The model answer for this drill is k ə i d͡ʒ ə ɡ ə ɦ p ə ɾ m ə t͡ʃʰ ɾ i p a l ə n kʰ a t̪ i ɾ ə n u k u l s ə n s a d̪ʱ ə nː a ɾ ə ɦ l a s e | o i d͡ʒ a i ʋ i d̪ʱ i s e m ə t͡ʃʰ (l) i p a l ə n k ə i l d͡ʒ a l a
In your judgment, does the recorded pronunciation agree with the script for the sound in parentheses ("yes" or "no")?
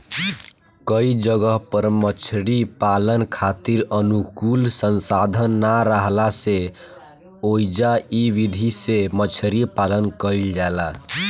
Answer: no